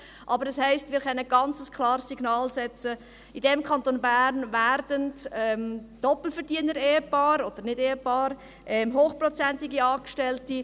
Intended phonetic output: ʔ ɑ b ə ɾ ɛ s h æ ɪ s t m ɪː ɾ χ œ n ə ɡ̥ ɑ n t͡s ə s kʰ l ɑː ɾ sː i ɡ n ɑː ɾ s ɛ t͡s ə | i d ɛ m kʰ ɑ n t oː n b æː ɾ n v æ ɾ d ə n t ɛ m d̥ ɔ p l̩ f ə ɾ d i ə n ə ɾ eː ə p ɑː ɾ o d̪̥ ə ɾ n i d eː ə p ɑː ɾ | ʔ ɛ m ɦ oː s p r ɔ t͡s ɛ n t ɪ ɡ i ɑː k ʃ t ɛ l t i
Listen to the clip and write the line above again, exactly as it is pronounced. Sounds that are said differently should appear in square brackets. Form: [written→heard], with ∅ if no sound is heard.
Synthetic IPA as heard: ʔ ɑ b ə ɾ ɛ s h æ ɪ s t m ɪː ɾ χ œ n ə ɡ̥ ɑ n t͡s ə s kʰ l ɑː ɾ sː i ɡ n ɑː [ɾ→l] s ɛ t͡s ə | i d ɛ m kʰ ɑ n t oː n b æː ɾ n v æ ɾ d ə n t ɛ m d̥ ɔ p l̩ f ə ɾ d i ə n ə ɾ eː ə p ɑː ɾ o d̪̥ ə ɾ n [i→ɪ] d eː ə p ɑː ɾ | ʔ ɛ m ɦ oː [s→χ] p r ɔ t͡s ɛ n t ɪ ɡ i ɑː k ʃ t ɛ l t i

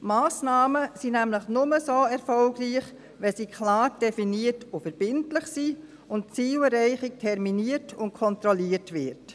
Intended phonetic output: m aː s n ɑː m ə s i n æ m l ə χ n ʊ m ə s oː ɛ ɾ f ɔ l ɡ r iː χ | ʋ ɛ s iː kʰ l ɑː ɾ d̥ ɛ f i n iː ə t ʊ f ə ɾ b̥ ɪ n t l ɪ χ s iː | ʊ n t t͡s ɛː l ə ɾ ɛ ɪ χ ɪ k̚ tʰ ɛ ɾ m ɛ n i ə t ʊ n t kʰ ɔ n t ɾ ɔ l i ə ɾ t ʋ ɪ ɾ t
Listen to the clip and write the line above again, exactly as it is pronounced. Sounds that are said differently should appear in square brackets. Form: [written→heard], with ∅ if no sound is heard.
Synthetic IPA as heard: m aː s n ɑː m ə s i n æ m l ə χ n ʊ m ə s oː ɛ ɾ f ɔ l ɡ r iː χ | ʋ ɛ s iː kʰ l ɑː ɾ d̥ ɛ f i n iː ə t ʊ f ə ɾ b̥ ɪ n t l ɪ χ s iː | ʊ n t t͡s [ɛː→iː] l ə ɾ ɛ ɪ χ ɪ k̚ tʰ ɛ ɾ m [ɛ→i] n i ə t ʊ n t kʰ ɔ n t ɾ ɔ l i ə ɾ t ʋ ɪ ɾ t

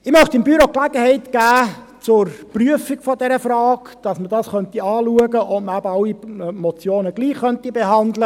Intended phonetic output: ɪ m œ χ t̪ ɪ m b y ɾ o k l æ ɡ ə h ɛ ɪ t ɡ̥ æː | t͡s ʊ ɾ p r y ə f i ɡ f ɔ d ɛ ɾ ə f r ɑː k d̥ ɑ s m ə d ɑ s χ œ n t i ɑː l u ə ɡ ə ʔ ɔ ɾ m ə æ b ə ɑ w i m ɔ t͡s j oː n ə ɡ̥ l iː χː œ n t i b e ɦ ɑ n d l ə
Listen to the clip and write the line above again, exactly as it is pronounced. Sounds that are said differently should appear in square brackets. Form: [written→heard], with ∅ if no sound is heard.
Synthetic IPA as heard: ɪ m œ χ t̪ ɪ m b y ɾ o k l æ ɡ ə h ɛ ɪ t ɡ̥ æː | t͡s ʊ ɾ p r y ə f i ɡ f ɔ d ɛ ɾ ə f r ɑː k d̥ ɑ s m ə d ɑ s χ œ n t i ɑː l u ə ɡ ə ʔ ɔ [ɾ→∅] m ə æ b ə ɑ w i m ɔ t͡s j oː n ə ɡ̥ l iː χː œ n t i b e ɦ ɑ n d l ə

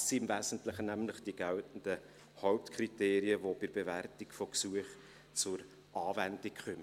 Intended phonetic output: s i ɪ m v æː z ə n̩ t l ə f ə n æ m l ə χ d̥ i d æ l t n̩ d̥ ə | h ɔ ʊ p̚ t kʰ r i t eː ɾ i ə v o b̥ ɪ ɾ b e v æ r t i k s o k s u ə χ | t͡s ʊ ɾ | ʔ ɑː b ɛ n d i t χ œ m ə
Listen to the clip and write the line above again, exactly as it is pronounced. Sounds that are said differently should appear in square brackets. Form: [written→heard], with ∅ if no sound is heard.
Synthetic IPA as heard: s i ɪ m v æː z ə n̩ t l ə [f→χ] ə n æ m l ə χ d̥ i [d→ɡ] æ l t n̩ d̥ ə | h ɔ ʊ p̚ t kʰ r i t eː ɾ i ə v o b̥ ɪ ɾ b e v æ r t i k [s→f] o k s u ə χ | t͡s ʊ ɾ | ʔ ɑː [b→v] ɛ n d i [t→k] χ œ m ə

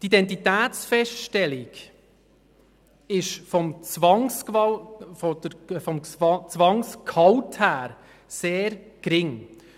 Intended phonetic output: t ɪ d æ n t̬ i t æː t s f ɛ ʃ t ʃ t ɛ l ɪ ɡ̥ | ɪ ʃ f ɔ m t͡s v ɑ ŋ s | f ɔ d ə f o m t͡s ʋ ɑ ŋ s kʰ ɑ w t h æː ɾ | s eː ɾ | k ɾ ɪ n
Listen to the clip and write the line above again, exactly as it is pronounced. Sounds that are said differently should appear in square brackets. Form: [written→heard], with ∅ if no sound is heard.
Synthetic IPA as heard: t [ɪ→i] d [æ→ɛ] n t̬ i t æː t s f ɛ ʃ t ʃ t ɛ l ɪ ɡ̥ | ɪ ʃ f ɔ m t͡s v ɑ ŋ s | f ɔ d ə f [o→ɔ] m t͡s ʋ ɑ ŋ s kʰ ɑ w t h æː ɾ | s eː ɾ | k ɾ ɪ [n→ŋ]

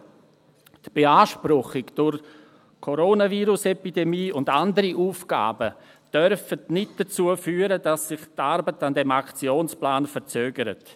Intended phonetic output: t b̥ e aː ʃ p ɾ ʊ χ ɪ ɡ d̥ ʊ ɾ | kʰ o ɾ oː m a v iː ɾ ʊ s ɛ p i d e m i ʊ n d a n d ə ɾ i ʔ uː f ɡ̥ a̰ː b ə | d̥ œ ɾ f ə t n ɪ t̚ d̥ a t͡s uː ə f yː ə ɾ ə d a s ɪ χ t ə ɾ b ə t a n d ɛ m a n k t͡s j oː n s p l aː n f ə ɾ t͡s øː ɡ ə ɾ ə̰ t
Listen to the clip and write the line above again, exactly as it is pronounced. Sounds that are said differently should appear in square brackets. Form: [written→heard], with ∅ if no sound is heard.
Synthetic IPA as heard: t b̥ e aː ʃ p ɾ ʊ χ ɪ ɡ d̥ ʊ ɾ | kʰ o ɾ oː [m→n] a v iː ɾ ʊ s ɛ p i d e m [i→iː] ʊ n d a n d ə ɾ i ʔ uː f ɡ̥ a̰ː b ə | d̥ œ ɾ f ə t n ɪ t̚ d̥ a t͡s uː ə f yː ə ɾ ə d a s ɪ χ t [ə→a] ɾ b ə t a n d ɛ m a [n→∅] k t͡s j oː n s p l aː n f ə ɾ t͡s øː ɡ ə ɾ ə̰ t

